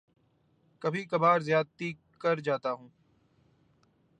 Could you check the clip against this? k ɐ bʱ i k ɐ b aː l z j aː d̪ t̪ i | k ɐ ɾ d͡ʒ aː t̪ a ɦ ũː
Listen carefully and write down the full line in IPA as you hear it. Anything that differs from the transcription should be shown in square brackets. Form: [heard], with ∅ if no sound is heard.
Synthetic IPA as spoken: k ɐ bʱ i k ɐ b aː [ɾ] z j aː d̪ t̪ i | k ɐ ɾ d͡ʒ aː t̪ a ɦ ũː